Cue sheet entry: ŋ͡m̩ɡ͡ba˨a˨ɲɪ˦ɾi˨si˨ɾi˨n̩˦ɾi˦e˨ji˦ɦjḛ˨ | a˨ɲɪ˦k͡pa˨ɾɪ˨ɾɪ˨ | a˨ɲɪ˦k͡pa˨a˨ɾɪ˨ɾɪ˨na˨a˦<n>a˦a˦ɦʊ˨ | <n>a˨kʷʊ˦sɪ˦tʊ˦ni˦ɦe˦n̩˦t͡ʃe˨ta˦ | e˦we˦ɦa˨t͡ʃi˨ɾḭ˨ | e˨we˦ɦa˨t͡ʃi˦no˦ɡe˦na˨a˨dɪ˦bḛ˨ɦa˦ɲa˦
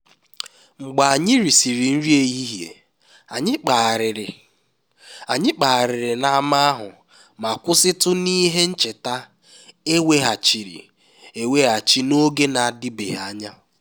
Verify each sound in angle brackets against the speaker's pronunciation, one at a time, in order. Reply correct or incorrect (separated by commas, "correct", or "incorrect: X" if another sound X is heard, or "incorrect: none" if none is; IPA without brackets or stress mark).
incorrect: m, incorrect: m